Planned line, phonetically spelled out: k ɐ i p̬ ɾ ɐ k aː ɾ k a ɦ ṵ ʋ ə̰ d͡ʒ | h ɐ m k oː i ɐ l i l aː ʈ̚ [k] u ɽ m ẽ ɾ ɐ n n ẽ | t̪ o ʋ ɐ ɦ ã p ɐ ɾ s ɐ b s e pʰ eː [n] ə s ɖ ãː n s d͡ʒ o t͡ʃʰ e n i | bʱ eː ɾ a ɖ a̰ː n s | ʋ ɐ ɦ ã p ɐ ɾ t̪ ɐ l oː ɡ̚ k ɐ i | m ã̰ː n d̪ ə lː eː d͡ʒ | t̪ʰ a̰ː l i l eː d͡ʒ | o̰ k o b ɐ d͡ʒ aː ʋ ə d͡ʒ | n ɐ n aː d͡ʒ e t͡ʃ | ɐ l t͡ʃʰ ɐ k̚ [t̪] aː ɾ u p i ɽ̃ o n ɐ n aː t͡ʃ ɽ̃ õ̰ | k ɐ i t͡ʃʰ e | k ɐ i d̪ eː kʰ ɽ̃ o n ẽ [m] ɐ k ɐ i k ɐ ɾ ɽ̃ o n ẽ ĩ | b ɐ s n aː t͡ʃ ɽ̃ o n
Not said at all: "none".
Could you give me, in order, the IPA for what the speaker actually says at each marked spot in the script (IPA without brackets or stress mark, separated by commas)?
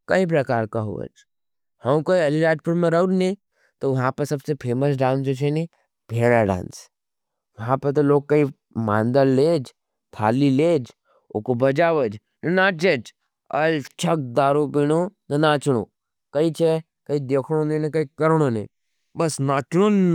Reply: p, m, d̪, n